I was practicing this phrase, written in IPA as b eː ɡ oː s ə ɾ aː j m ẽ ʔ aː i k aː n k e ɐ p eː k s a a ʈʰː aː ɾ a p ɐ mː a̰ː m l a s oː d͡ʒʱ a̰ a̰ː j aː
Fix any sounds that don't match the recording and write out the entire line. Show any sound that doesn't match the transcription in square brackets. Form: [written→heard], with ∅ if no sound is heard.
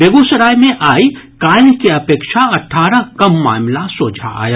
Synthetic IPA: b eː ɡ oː s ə ɾ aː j m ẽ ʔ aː i k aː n k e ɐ p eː k [s→ʃ] a [a→ɐ] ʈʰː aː ɾ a [p→k] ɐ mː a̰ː m l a s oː d͡ʒʱ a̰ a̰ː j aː

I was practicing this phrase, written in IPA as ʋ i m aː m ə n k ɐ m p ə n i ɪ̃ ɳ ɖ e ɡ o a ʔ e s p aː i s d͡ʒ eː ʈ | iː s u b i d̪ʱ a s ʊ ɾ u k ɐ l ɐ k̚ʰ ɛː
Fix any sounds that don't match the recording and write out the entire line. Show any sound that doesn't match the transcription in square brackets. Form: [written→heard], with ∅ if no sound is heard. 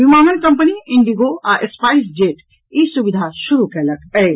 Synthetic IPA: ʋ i m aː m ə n k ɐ m p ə n i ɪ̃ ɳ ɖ [e→i] ɡ o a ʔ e s p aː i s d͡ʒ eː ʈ | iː s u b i d̪ʱ a [s→ʃ] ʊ ɾ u k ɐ l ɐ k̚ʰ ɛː

